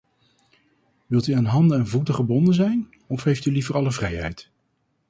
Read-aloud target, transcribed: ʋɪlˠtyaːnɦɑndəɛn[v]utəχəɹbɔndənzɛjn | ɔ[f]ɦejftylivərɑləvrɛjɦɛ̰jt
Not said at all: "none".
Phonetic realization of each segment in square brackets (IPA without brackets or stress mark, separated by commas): v, f